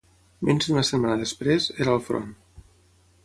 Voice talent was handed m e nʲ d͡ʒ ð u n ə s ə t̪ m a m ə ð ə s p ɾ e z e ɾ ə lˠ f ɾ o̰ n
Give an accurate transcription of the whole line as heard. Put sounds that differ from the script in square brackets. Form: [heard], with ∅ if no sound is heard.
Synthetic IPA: m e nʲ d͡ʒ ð u n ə s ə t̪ m a [n] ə ð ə s p ɾ e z e ɾ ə lˠ f ɾ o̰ n